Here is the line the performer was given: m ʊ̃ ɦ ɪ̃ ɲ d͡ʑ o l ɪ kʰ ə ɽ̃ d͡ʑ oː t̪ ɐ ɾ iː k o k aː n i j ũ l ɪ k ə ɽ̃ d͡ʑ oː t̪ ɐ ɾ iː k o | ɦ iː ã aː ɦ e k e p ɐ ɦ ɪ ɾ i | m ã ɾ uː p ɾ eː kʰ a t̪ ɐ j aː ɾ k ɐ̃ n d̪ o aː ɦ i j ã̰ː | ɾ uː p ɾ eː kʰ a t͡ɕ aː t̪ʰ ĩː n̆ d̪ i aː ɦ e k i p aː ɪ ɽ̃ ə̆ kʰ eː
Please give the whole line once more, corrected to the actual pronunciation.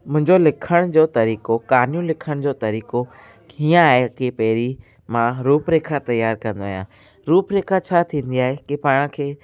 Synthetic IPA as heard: m ʊ̃ ɦ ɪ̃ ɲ d͡ʑ o l ɪ kʰ ə ɽ̃ d͡ʑ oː t̪ ɐ ɾ iː k o k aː n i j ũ l ɪ kʰ ə ɽ̃ d͡ʑ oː t̪ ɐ ɾ iː k o | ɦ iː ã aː ɦ e k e p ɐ ɦ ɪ ɾ i | m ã ɾ uː p ɾ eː kʰ a t̪ ɐ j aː ɾ k ɐ̃ n d̪ o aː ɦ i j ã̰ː | ɾ uː p ɾ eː kʰ a t͡ɕʰ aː t̪ʰ ĩː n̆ d̪ i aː ɦ e k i p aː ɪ ɽ̃ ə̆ kʰ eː